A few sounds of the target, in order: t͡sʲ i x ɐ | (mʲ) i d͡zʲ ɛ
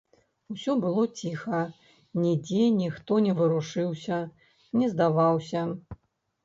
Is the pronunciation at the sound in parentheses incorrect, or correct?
incorrect